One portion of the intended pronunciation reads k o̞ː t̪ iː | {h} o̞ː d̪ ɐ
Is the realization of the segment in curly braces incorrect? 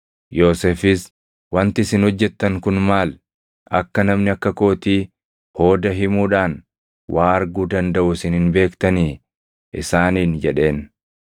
no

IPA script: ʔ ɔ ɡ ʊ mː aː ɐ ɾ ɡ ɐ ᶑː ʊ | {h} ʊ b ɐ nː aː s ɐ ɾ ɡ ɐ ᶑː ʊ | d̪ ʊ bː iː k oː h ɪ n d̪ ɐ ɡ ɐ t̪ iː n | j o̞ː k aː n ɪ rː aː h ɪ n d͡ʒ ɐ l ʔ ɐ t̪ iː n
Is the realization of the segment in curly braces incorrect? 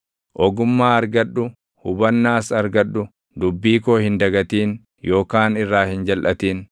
no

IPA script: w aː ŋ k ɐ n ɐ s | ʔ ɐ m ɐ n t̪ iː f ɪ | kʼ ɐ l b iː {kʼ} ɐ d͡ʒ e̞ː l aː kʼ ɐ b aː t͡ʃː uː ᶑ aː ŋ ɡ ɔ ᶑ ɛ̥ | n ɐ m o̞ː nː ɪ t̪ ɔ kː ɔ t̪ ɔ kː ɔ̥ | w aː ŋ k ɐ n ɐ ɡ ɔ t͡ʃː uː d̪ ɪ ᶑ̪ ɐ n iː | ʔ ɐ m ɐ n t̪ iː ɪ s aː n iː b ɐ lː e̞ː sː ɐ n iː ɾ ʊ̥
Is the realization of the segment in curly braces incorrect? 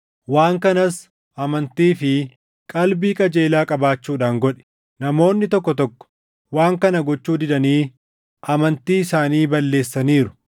no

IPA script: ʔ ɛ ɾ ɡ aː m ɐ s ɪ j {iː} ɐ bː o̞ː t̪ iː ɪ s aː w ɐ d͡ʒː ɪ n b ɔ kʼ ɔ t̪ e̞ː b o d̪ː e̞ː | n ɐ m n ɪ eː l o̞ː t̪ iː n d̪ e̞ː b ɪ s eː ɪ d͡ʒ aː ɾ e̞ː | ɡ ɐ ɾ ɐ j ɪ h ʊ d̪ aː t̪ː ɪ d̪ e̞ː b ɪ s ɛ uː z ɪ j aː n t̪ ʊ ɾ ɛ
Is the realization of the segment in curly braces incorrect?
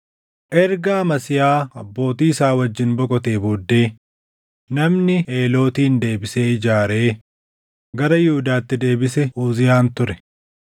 yes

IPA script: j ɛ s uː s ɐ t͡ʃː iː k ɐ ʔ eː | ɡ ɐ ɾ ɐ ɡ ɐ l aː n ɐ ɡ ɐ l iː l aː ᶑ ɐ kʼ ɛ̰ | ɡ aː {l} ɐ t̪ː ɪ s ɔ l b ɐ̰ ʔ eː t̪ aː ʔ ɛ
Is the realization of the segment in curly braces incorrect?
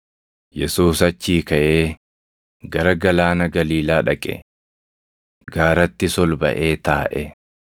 yes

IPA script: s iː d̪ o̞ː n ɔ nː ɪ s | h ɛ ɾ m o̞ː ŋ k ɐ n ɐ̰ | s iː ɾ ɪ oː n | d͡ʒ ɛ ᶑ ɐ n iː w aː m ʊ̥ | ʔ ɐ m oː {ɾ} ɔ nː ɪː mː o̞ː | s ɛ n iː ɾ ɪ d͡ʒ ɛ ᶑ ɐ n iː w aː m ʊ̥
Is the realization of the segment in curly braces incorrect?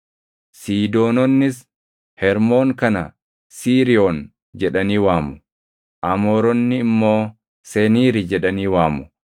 no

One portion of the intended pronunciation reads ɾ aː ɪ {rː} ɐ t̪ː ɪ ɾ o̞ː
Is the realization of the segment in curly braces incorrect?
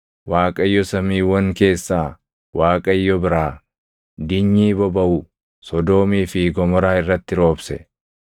no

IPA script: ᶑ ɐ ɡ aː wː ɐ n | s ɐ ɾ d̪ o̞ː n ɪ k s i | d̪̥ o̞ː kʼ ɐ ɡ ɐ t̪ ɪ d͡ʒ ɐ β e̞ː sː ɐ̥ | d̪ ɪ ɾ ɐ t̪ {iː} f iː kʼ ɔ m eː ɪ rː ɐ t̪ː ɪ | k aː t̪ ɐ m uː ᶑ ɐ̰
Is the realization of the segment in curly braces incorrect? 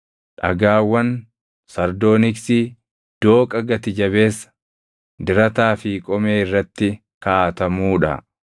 yes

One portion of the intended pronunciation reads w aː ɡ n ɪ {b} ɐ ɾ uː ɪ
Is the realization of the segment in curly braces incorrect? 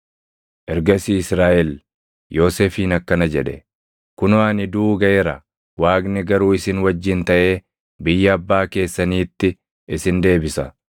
yes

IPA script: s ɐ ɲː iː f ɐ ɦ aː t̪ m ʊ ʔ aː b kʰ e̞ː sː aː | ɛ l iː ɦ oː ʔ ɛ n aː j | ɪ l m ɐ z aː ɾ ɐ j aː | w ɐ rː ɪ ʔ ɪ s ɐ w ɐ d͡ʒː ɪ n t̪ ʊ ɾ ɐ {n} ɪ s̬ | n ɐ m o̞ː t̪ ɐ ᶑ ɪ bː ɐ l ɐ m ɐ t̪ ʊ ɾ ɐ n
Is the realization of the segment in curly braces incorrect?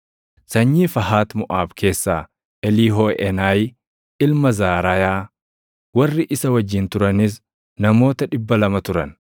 no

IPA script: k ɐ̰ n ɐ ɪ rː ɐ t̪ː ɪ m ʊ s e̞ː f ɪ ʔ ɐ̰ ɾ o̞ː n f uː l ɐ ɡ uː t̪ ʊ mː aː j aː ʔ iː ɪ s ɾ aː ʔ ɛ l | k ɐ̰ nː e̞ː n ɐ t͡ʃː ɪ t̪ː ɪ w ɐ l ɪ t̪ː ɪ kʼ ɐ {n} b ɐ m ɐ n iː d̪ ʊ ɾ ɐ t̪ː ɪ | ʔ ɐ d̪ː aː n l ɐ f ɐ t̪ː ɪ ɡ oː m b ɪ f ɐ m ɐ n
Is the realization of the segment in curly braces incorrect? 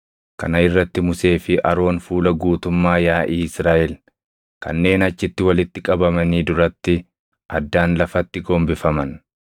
yes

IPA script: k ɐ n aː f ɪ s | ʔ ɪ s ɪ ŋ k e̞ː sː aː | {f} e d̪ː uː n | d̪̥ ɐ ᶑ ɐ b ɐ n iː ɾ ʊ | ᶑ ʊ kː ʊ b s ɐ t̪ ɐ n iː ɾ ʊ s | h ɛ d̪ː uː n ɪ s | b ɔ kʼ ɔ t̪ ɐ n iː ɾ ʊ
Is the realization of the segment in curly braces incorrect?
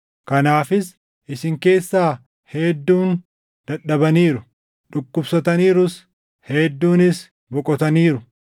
yes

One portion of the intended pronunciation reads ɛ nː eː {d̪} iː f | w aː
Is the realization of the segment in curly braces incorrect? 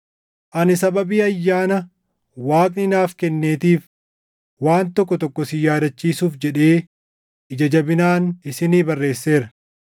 yes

